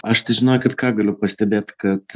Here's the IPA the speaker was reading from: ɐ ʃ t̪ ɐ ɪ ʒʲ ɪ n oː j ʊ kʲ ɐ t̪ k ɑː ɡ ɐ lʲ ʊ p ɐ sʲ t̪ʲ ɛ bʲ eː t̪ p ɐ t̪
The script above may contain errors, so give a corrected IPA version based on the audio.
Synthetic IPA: ɐ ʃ t̪ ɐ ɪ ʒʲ ɪ n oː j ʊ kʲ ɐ t̪ k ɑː ɡ ɐ lʲ ʊ p ɐ sʲ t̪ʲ ɛ bʲ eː t̪ k ɐ t̪

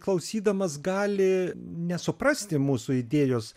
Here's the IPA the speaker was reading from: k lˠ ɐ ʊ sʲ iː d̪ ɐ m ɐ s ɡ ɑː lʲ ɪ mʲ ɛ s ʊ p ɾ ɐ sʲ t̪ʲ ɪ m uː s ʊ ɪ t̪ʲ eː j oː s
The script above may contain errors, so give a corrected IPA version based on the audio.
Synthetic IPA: k lˠ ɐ ʊ sʲ iː d̪ ɐ m ɐ s ɡ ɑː lʲ ɪ nʲ ɛ s ʊ p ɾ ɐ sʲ t̪ʲ ɪ m uː s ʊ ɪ d̪ʲ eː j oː s

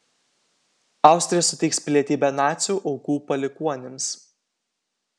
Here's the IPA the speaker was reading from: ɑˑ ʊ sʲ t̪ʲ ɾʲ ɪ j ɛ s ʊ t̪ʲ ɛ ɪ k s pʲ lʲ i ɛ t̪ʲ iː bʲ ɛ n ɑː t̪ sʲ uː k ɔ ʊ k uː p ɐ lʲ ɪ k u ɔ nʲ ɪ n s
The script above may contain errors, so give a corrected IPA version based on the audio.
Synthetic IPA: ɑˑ ʊ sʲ t̪ʲ ɾʲ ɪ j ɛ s ʊ t̪ʲ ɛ ɪ k s pʲ lʲ i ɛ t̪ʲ iː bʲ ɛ n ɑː t̪ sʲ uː ʔ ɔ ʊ k uː p ɐ lʲ ɪ k u ɔ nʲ ɪ m s

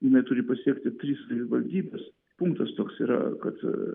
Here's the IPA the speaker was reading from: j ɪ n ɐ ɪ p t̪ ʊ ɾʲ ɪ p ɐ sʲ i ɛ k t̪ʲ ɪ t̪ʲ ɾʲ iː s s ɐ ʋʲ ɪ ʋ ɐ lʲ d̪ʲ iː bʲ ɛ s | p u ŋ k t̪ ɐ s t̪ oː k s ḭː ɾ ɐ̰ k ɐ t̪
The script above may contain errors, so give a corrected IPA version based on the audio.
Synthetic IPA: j ɪ n ɐ ɪ t̪ ʊ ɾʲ ɪ p ɐ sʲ i ɛ k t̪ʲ ɪ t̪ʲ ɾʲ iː s s ɐ ʋʲ ɪ ʋ ɐ lʲ d̪ʲ iː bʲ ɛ s | p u ŋ k t̪ ɐ s t̪ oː k s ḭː ɾ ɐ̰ k ɐ t̪

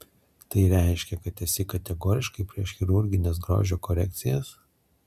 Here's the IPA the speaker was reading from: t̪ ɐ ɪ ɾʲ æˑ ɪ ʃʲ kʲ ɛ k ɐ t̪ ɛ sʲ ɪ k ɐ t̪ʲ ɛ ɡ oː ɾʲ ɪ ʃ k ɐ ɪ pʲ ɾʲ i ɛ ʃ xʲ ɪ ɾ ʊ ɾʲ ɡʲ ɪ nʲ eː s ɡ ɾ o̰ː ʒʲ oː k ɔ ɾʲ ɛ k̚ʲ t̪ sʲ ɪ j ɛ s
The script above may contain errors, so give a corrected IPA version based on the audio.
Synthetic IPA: t̪ ɐ ɪ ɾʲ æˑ ɪ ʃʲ kʲ ɛ k ɐ t̪ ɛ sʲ ɪ k ɐ t̪ʲ ɛ ɡ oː ɾʲ ɪ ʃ k ɐ ɪ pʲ ɾʲ i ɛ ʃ xʲ ɪ ɾ ʊ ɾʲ ɡʲ ɪ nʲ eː s ɡ ɾ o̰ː ʒʲ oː k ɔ ɾʲ ɛ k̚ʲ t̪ sʲ ɪ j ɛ s

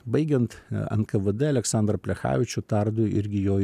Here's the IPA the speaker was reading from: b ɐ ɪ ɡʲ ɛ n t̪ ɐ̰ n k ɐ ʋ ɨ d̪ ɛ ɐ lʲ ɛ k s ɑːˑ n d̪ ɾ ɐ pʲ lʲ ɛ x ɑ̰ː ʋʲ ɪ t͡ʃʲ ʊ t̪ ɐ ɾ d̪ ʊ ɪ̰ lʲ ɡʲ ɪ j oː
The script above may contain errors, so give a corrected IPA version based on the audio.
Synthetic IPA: b ɐ ɪ ɡʲ ɛ n t̪ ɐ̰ n k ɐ ʋ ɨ d̪ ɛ ɐ lʲ ɛ k s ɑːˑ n d̪ ɾ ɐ pʲ lʲ ɛ x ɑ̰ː ʋʲ ɪ t͡ʃʲ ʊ t̪ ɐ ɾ d̪ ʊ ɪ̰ ɾʲ ɡʲ ɪ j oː

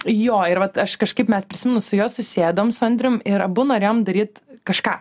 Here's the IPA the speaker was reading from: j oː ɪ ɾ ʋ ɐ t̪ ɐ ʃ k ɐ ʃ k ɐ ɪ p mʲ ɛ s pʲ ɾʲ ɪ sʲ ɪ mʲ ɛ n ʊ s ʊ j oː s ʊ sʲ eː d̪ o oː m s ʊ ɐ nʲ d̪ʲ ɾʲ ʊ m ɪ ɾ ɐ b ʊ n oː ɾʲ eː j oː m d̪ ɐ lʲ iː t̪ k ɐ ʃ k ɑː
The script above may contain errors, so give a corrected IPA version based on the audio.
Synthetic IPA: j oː ɪ ɾ ʋ ɐ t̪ ɐ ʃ k ɐ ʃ k ɐ ɪ p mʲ ɛ s pʲ ɾʲ ɪ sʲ ɪ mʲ ɛ n ʊ s ʊ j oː s ʊ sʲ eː d̪ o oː m s ʊ ɐ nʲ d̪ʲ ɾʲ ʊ m ɪ ɾ ɐ b ʊ n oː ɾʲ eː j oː m d̪ ɐ ɾʲ iː t̪ k ɐ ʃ k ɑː

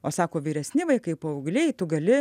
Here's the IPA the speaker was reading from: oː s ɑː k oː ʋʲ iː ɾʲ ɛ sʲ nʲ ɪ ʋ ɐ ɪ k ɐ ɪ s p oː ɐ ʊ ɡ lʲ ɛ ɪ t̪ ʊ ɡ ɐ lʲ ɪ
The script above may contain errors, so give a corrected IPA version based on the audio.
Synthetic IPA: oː s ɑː k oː ʋʲ iː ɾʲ ɛ sʲ nʲ ɪ ʋ ɐ ɪ k ɐ ɪ p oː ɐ ʊ ɡ lʲ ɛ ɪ t̪ ʊ ɡ ɐ lʲ ɪ

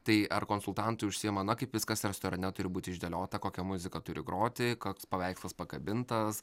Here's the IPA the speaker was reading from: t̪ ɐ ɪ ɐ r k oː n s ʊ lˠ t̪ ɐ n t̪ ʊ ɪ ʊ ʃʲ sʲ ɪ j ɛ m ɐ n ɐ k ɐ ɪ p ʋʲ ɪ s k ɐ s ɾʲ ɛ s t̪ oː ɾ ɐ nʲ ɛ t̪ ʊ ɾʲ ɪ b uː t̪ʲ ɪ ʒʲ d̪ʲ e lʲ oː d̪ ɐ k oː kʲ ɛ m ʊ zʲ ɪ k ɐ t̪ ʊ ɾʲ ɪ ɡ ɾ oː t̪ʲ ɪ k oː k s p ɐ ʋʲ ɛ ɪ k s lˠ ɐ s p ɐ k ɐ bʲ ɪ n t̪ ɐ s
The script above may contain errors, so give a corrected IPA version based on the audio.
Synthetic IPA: t̪ ɐ ɪ ɐ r k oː n s ʊ lˠ t̪ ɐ n t̪ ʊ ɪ ʊ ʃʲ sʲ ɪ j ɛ m ɐ n ɐ k ɐ ɪ p ʋʲ ɪ s k ɐ s ɾʲ ɛ s t̪ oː ɾ ɐ nʲ ɛ t̪ ʊ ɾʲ ɪ b uː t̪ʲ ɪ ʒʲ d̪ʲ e lʲ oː t̪ ɐ k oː kʲ ɛ m ʊ zʲ ɪ k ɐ t̪ ʊ ɾʲ ɪ ɡ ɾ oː t̪ʲ ɪ k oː k s p ɐ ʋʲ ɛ ɪ k s lˠ ɐ s p ɐ k ɐ bʲ ɪ n t̪ ɐ s

